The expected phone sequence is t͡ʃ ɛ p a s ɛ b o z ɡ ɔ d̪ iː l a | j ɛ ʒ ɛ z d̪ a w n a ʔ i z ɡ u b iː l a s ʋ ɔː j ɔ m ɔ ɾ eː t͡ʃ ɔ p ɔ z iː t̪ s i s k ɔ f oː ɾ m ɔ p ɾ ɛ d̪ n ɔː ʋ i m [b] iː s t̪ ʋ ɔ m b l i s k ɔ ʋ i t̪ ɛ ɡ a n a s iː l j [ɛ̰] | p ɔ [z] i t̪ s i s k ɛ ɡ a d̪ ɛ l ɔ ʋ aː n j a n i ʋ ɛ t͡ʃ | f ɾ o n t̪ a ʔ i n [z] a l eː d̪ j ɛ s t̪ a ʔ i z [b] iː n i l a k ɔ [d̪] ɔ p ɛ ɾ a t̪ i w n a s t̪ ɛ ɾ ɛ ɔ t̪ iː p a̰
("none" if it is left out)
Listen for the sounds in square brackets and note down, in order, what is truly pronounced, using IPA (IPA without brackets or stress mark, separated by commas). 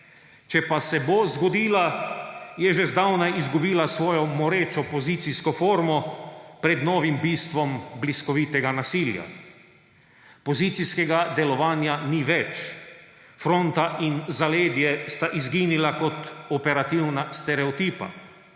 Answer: b, a̰, z, z, ɡ, t̪